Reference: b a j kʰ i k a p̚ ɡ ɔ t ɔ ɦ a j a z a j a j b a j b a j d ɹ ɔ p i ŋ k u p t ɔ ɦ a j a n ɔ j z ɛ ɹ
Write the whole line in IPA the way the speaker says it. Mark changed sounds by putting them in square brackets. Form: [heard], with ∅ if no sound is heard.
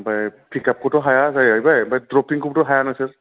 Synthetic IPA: b a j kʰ i k a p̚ [k] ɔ t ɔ ɦ a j a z a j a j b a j b a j d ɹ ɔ p i ŋ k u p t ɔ ɦ a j a n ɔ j [s] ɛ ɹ